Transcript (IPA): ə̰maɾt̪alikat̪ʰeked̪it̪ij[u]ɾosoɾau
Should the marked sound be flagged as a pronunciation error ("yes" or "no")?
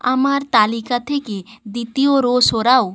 yes